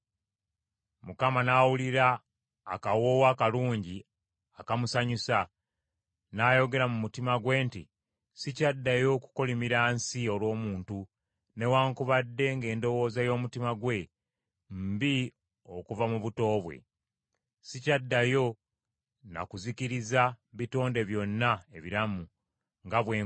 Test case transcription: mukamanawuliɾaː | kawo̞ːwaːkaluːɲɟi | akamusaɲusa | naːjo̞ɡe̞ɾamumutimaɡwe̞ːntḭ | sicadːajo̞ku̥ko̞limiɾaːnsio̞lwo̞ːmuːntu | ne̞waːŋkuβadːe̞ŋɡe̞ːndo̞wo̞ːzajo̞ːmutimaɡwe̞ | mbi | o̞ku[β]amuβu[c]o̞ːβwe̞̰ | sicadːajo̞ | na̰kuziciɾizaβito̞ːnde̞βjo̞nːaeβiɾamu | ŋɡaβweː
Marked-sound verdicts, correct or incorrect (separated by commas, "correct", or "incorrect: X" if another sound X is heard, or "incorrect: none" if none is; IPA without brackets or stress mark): incorrect: v, incorrect: t